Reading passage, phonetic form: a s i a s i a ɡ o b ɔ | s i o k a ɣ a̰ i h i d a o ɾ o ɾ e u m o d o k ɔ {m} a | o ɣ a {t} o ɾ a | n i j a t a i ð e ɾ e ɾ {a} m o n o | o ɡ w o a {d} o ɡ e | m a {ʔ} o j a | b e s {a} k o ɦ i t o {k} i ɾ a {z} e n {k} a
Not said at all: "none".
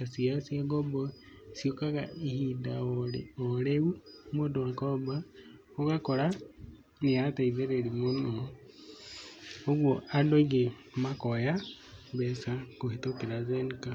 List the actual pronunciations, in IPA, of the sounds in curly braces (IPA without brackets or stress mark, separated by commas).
b, k, i, d, k, a, k, z, k